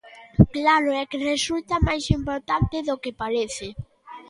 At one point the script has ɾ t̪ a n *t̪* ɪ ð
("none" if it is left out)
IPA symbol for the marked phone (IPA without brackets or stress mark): t̪